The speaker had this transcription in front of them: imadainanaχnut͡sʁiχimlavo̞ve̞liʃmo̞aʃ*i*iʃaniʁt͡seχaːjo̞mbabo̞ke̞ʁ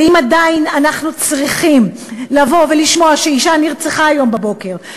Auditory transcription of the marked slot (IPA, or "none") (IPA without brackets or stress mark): e